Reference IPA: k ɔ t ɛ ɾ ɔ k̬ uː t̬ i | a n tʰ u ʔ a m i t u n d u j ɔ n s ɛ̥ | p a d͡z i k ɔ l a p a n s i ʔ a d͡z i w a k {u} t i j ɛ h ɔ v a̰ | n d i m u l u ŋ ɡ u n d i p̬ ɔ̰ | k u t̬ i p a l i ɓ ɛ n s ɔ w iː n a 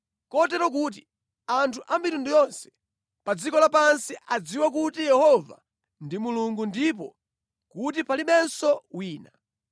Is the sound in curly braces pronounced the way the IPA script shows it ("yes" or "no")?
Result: yes